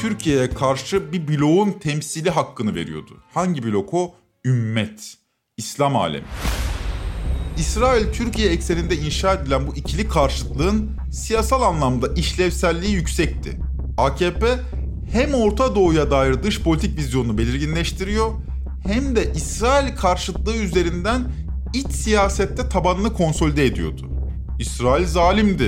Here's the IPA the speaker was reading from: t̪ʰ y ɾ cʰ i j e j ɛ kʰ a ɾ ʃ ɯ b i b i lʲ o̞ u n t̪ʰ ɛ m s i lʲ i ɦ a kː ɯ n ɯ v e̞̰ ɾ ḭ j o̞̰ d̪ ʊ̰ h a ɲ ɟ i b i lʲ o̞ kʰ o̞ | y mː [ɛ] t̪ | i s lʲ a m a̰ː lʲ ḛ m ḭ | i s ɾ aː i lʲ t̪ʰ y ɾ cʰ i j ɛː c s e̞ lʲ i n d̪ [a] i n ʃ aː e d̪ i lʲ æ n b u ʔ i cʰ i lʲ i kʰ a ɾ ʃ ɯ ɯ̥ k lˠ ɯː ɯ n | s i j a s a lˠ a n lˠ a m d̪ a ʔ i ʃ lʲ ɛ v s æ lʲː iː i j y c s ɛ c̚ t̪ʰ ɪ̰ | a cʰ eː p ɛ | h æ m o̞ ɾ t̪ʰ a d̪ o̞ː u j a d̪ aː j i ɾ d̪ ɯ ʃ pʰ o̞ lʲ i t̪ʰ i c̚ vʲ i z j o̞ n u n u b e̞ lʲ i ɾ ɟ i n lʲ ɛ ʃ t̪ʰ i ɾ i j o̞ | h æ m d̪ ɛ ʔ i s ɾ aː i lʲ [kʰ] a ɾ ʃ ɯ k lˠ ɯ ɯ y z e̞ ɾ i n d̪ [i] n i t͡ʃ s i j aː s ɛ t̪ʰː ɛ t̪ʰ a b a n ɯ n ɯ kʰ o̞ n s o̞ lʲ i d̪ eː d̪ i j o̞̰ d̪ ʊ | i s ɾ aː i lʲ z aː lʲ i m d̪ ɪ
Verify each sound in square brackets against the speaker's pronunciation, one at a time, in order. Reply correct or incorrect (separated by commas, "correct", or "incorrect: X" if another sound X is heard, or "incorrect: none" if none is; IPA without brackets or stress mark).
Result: correct, incorrect: ɛ, correct, incorrect: æ